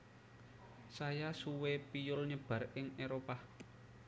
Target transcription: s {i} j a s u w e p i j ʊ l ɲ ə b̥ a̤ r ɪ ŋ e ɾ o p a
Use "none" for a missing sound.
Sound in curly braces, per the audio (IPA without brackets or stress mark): a